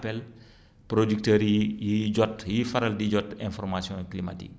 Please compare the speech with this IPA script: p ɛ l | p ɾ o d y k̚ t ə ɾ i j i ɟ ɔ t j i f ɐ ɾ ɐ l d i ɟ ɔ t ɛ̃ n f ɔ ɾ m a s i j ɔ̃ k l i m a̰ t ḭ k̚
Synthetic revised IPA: p ɛ l | p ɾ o d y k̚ t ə ɾ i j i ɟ ɔ t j i f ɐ ɾ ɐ l d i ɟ ɔ t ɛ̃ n f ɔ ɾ m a s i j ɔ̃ k l i m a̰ t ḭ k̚